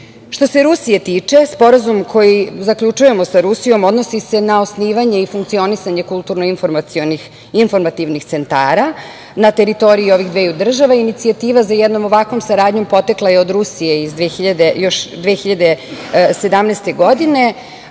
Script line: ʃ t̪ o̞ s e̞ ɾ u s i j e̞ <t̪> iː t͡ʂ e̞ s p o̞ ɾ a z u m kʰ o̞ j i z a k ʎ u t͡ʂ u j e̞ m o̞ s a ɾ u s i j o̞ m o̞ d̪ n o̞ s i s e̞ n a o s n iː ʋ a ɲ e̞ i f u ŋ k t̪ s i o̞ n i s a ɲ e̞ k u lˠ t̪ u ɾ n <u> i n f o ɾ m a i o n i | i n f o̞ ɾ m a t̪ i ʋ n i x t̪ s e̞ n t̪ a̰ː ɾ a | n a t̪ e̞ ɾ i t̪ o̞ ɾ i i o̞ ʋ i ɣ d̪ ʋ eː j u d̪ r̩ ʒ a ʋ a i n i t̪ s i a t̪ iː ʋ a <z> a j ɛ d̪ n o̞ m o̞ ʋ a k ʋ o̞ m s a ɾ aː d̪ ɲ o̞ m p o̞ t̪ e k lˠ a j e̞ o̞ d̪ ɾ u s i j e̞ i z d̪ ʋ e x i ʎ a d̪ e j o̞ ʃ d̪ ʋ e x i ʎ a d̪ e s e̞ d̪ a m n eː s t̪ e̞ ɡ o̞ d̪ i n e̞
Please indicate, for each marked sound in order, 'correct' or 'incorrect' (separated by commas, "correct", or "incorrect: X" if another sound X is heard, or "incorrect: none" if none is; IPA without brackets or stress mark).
correct, incorrect: o, correct